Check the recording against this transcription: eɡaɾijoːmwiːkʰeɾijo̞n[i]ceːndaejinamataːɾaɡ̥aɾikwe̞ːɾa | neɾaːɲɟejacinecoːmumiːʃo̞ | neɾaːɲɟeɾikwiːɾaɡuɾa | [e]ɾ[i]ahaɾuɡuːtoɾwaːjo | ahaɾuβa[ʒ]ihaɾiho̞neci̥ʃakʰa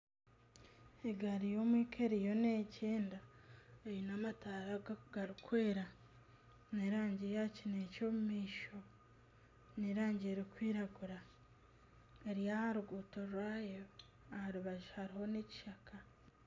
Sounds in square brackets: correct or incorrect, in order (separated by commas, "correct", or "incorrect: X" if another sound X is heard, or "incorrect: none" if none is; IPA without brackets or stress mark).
incorrect: e, correct, incorrect: j, correct